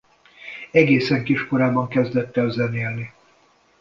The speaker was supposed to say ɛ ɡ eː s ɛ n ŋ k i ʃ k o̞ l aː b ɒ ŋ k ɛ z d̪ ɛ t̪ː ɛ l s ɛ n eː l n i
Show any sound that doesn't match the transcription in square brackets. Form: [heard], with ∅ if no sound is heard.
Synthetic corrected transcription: ɛ ɡ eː s ɛ [∅] ŋ k i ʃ k o̞ [ɾ] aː b ɒ ŋ k ɛ z d̪ ɛ t̪ː ɛ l [z] ɛ n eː l n i